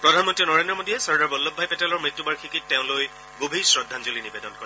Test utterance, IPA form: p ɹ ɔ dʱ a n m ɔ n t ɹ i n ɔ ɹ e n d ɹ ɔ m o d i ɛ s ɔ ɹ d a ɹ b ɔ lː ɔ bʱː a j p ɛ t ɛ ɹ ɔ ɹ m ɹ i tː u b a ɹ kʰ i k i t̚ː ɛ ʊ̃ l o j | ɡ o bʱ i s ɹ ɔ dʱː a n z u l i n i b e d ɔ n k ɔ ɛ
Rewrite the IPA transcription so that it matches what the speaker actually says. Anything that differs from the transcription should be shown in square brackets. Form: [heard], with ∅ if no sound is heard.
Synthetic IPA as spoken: p ɹ ɔ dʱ a n m ɔ n t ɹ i n ɔ ɹ e n d ɹ ɔ m o d i ɛ s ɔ ɹ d a ɹ b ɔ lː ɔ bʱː a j p ɛ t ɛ [l] ɔ ɹ m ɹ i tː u b a ɹ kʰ i k i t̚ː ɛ ʊ̃ l o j | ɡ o bʱ i s ɹ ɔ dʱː a n z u l i n i b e d ɔ n k ɔ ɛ

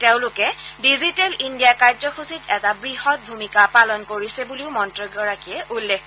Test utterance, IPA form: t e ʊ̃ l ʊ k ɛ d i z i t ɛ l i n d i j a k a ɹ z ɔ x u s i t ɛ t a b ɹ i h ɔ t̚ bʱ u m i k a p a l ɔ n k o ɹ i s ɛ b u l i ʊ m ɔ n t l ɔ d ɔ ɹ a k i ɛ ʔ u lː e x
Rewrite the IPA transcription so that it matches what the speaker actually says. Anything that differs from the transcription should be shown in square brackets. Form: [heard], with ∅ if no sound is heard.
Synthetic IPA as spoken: t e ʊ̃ l ʊ k ɛ d i z i t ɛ l i n d i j a k a ɹ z ɔ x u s i t ɛ t a b ɹ i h ɔ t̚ bʱ u m i k a p a l ɔ n k o ɹ i s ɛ b u l i ʊ m ɔ n t [ɹ] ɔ [ɡ] ɔ ɹ a k i ɛ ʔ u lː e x

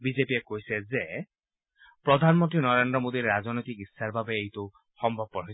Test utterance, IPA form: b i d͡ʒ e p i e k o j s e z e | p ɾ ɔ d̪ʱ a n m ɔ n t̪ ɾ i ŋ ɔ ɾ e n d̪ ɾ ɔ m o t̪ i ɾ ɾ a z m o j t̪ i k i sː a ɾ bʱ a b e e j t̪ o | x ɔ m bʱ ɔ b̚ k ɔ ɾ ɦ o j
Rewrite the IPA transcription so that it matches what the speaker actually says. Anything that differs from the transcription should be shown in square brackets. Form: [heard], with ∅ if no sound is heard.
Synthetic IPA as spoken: b i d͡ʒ e p i e k o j s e z e | p ɾ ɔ d̪ʱ a n m ɔ n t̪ ɾ i [n] ɔ ɾ e n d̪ ɾ ɔ m o [d̪] i ɾ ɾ a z [n] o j t̪ i k i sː a ɾ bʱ a b e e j t̪ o | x ɔ m bʱ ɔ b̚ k ɔ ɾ ɦ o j

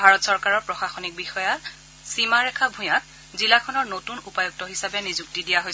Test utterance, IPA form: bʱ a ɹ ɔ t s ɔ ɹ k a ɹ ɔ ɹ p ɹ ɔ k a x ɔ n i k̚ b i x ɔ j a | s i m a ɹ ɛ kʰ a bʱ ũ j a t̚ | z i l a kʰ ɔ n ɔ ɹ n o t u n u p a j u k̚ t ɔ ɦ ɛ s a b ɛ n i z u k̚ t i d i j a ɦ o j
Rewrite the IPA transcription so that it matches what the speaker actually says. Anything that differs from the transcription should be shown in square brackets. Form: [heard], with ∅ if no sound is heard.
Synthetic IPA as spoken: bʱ a ɹ ɔ t s ɔ ɹ k a ɹ ɔ ɹ p ɹ ɔ [x] a x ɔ n i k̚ b i x ɔ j a | s i m a ɹ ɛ kʰ a bʱ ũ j a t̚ | z i l a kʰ ɔ n ɔ ɹ n o t u n u p a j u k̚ t ɔ ɦ [i] s a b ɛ n i z u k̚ t i d i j a ɦ o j

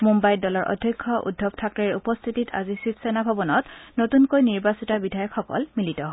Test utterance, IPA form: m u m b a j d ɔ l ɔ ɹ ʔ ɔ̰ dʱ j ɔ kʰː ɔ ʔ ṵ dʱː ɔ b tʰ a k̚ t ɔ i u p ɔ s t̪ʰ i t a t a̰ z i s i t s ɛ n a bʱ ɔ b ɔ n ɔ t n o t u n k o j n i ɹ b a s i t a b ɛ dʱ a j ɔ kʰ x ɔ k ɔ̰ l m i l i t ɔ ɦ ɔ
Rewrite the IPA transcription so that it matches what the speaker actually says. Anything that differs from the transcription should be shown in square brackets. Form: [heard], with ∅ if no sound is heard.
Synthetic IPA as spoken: m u m b a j d ɔ l ɔ ɹ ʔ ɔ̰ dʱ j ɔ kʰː ɔ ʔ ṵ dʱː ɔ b tʰ a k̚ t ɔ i u p ɔ s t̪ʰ i t [i] t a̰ z i s i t s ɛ n a bʱ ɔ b ɔ n ɔ t n o t u n k o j n i ɹ b a s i t a b [i] dʱ a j ɔ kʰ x ɔ k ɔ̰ l m i l i t ɔ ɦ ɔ

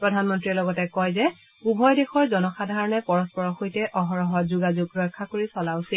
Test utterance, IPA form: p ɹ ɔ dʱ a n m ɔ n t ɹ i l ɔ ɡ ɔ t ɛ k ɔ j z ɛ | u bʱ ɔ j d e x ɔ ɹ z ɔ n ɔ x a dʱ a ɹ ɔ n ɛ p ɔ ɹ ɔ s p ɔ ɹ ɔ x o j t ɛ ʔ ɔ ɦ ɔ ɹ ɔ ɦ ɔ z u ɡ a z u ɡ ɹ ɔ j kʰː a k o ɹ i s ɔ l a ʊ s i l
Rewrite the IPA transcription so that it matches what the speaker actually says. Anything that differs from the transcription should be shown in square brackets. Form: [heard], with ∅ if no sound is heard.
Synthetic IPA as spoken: p ɹ ɔ dʱ a n m ɔ n t ɹ i l ɔ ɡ ɔ t ɛ k ɔ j z ɛ | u bʱ ɔ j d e x ɔ ɹ z ɔ n ɔ x a dʱ a ɹ ɔ n ɛ p ɔ ɹ ɔ s p ɔ ɹ ɔ x o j t ɛ ʔ ɔ ɦ ɔ ɹ ɔ ɦ ɔ z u ɡ a z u ɡ ɹ ɔ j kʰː a k o ɹ i s ɔ l a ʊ s i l

